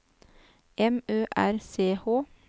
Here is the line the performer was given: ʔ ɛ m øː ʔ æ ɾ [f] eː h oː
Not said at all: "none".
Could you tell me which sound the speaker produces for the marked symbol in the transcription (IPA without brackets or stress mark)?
s